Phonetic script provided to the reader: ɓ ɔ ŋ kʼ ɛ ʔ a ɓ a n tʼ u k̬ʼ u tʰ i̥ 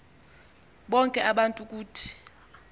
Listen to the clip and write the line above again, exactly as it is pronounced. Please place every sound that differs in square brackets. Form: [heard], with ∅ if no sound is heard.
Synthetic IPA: ɓ ɔ ŋ kʼ ɛ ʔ a ɓ a n tʼ u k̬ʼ [uː] tʰ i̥